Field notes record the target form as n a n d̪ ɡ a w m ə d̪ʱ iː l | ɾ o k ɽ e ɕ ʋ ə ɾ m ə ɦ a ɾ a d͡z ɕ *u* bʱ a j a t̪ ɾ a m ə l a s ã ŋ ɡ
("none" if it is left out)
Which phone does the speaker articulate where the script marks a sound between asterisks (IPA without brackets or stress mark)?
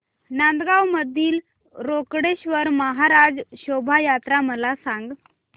o